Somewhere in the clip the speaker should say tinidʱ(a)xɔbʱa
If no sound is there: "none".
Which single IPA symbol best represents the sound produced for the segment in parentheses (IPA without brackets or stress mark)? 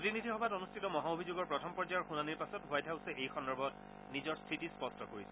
i